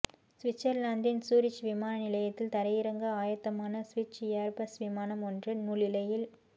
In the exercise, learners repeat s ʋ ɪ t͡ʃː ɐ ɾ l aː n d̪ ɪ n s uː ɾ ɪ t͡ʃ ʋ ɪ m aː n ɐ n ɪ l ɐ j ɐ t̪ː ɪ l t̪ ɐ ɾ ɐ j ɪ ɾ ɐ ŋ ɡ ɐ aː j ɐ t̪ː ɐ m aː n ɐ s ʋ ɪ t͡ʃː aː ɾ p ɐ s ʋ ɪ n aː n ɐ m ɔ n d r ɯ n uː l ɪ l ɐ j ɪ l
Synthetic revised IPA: s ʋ ɪ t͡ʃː ɐ ɾ l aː n d̪ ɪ n s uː ɾ ɪ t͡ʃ ʋ ɪ m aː n ɐ n ɪ l ɐ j ɐ t̪ː ɪ l t̪ ɐ ɾ ɐ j ɪ ɾ ɐ ŋ ɡ ɐ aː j ɐ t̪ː ɐ m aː n ɐ s ʋ ɪ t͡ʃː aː ɾ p ɐ s ʋ ɪ m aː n ɐ m ɔ n d r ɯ n uː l ɪ l ɐ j ɪ l